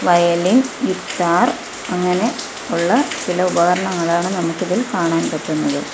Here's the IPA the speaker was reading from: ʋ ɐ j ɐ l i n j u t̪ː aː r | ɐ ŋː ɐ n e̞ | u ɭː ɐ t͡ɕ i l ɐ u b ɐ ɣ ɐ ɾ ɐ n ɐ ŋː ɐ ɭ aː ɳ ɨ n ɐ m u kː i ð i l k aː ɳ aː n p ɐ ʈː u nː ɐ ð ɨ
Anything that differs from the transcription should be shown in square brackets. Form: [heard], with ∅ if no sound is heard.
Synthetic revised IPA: ʋ ɐ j ɐ l i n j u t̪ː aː r | ɐ ŋː ɐ n e̞ | u ɭː ɐ t͡ɕ i l ɐ u b ɐ ɣ ɐ ɾ ɐ [ɳ] ɐ ŋː ɐ ɭ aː ɳ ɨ n ɐ m u kː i ð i l k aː ɳ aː n p ɐ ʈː u nː ɐ ð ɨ